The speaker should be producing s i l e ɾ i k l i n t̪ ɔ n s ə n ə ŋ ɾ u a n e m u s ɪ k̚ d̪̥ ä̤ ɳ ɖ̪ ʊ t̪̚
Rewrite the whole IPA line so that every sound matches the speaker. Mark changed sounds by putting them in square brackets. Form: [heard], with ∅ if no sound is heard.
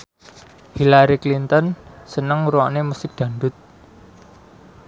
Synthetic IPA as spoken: [h] i l [a] ɾ i k l i n t̪ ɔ n s ə n ə ŋ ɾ u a n e m u s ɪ k̚ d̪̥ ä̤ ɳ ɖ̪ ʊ t̪̚